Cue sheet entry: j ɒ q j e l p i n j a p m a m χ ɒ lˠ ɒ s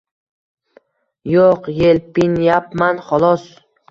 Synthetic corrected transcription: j o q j e l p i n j a p m a n χ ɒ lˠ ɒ s

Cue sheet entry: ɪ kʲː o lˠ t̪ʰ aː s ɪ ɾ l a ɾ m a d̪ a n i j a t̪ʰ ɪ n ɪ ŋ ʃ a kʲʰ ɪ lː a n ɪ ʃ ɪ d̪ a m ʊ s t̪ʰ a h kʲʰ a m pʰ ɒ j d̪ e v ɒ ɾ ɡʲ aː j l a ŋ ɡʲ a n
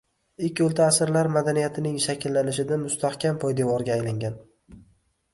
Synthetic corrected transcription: ɪ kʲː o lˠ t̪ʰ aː s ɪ ɾ l a ɾ m a d̪ a n i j a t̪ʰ ɪ n ɪ ŋ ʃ a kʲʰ ɪ lː a n ɪ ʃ ɪ d̪ a m ʊ s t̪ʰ a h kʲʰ a m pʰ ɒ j d̪ e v ɒ ɾ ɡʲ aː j l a ŋ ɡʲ a n

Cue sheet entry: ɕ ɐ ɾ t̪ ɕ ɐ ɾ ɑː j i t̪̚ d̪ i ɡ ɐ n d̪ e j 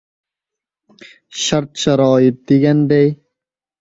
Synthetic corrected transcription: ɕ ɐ ɾ t̪ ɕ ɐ ɾ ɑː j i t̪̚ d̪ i ɡ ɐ n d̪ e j

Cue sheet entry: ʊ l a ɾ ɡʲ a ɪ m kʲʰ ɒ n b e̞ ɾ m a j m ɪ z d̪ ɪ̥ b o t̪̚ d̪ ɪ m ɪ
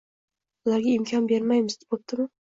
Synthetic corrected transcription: ʊ l a ɾ ɡʲ a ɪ m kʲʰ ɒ n b e̞ ɾ m a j m ɪ z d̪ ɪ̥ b o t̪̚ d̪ ɪ m ɪ

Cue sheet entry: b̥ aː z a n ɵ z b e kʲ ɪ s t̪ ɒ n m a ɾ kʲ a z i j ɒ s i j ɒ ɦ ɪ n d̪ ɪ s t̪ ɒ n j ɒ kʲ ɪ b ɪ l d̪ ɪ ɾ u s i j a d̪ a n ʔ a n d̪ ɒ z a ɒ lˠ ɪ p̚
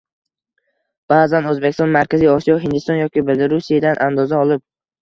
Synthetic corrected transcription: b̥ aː z a n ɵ z b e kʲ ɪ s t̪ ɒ n m a ɾ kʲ a z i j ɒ s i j ɒ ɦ ɪ n d̪ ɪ s t̪ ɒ n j ɒ kʲ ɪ b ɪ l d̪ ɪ ɾ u s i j a d̪ a n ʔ a n d̪ ɒ z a ɒ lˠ ɪ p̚

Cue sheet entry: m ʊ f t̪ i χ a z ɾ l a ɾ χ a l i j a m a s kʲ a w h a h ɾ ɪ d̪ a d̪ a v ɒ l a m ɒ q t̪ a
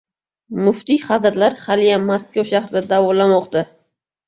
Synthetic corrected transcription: m ʊ f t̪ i χ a z ɾ l a ɾ χ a l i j a m a s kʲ a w ʃ a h ɾ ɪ d̪ a d̪ a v ɒ l a m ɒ q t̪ a

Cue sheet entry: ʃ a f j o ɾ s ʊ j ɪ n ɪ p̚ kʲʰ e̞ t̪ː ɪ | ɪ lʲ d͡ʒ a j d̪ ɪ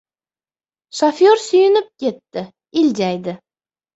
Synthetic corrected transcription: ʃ a f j o ɾ s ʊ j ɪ n ɪ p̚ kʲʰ e̞ t̪ː ɪ | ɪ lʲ d͡ʒ a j d̪ ɪ

